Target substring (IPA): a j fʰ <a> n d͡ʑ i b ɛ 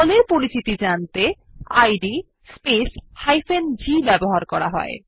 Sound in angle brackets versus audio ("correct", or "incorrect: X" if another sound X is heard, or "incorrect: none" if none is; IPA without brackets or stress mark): incorrect: e